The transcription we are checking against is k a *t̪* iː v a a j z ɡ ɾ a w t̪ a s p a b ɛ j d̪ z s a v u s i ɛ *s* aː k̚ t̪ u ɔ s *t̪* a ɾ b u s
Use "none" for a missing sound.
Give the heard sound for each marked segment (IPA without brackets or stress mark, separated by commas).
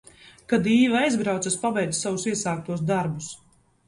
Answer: d̪, s, d̪